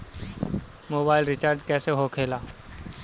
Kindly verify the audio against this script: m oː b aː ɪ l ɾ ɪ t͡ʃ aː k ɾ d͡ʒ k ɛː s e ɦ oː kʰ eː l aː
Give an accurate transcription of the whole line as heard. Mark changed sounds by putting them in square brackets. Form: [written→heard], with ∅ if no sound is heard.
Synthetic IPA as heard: m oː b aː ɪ l ɾ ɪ t͡ʃ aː [k→∅] ɾ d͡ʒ k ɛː s e ɦ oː kʰ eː l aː